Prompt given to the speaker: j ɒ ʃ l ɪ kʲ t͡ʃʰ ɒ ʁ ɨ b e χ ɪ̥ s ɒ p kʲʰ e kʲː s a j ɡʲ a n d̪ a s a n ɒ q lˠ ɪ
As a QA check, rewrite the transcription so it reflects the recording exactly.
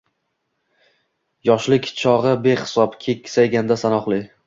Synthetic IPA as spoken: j ɒ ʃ l ɪ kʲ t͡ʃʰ ɒ ʁ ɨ b e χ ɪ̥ s ɒ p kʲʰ e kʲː s a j ɡʲ a n d̪ a s a n ɒ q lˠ ɪ